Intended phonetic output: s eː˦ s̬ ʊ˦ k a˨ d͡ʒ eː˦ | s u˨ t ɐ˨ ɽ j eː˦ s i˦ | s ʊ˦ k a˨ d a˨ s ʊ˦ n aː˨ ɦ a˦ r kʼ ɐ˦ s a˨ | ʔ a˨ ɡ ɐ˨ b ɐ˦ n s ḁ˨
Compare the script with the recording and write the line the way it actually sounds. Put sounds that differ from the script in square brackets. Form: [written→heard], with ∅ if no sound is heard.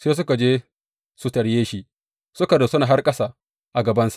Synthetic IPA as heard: s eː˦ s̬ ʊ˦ k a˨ d͡ʒ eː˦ | s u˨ t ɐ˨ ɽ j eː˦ [s→ʃ] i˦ | s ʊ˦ k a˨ d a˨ s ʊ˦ n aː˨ ɦ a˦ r kʼ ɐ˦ s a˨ | ʔ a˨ ɡ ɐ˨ b ɐ˦ n s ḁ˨